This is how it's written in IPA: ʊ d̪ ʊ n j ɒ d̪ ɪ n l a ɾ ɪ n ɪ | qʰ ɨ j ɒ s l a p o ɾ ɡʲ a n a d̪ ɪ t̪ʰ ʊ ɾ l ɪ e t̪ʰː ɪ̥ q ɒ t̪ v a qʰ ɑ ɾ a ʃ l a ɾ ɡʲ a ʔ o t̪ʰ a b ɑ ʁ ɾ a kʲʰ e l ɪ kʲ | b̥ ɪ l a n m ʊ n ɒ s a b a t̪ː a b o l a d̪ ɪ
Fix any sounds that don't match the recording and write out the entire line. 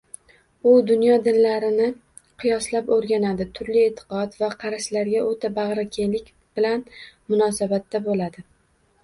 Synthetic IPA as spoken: ʊ d̪ ʊ n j ɒ d̪ ɪ n l a ɾ ɪ n ɪ | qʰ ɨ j ɒ s l a p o ɾ ɡʲ a n a d̪ ɪ t̪ʰ ʊ ɾ l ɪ e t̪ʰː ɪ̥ q ɒ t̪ v a qʰ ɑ ɾ a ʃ l a ɾ ɡʲ a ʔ o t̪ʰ a b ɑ ʁ ɾ a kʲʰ e l ɪ kʲ | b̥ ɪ l a n m ʊ n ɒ s a b a t̪ː a b o l a d̪ ɪ

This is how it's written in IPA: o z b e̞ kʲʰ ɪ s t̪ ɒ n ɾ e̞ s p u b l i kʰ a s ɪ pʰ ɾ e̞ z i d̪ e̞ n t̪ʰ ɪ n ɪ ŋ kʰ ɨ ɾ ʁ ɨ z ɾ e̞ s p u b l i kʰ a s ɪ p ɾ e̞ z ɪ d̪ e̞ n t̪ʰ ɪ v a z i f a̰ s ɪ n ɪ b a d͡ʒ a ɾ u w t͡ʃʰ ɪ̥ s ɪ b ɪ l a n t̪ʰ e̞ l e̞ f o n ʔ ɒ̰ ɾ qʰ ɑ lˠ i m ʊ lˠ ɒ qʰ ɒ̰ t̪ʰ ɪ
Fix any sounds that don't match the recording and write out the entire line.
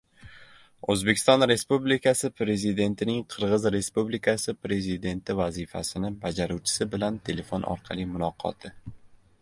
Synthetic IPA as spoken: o z b e̞ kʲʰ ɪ s t̪ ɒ n ɾ e̞ s p u b l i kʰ a s ɪ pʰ ɾ e̞ z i d̪ e̞ n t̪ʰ ɪ n ɪ ŋ qʰ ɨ ɾ ʁ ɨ z ɾ e̞ s p u b l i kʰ a s ɪ p ɾ e̞ z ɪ d̪ e̞ n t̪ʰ ɪ v a z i f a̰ s ɪ n ɪ b a d͡ʒ a ɾ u w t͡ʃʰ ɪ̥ s ɪ b ɪ l a n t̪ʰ e̞ l e̞ f o n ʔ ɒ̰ ɾ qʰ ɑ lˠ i m ʊ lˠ ɒ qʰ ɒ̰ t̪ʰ ɪ

